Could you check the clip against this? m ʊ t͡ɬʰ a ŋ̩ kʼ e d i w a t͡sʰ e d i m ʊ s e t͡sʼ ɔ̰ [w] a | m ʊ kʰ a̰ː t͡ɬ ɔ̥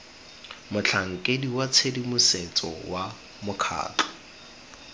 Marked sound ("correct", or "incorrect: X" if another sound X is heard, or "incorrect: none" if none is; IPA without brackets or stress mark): correct